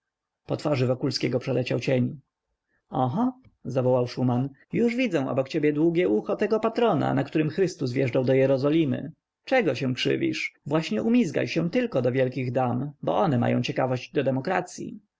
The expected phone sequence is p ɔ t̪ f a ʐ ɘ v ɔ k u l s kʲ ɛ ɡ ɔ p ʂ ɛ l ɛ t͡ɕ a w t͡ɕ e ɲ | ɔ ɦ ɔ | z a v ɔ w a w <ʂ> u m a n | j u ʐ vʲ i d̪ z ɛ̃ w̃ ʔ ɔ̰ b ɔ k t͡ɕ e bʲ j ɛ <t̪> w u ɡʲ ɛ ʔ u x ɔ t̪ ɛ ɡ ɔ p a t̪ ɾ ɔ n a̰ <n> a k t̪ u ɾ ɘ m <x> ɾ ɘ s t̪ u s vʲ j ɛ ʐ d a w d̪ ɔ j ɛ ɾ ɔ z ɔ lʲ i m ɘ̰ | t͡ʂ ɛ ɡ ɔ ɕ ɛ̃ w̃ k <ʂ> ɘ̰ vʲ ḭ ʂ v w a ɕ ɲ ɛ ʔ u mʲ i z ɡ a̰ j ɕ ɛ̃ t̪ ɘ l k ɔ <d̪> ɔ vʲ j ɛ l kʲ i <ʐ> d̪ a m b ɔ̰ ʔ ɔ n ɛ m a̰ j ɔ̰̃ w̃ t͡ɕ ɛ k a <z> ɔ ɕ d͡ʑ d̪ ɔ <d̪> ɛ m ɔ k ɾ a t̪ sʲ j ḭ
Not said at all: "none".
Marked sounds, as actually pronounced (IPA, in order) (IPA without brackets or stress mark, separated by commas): ʂ, d̪, n, x, ʂ, d̪, ɣ, v, d̪